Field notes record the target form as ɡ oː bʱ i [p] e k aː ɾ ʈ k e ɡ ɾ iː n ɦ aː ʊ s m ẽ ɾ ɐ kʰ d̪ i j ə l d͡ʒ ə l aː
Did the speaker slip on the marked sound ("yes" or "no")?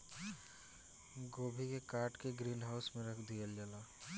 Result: yes